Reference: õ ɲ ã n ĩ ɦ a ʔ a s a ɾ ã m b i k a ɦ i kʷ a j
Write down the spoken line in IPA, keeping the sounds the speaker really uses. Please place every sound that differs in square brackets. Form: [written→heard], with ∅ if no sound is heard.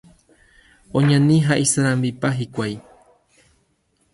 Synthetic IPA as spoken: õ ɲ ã n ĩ ɦ a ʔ [a→i] s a ɾ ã m b i [k→p] a ɦ i kʷ a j